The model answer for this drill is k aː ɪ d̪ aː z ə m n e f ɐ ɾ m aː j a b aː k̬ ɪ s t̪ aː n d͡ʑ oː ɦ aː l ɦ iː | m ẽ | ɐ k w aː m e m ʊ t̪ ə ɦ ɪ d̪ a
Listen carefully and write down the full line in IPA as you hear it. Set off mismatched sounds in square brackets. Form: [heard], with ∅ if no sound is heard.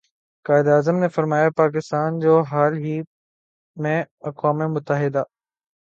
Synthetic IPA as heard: k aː ɪ d̪ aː z ə m n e f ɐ ɾ m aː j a [p] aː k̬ ɪ s t̪ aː n d͡ʑ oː ɦ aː l ɦ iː | m ẽ | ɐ k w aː m e m ʊ t̪ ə ɦ ɪ d̪ a